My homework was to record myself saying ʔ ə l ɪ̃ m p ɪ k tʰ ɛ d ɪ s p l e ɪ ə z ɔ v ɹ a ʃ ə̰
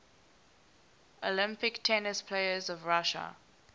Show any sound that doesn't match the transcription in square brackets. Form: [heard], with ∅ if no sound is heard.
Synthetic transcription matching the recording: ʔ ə l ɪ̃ m p ɪ k tʰ ɛ [n] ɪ s [pʰ] l e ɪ ə z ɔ v ɹ a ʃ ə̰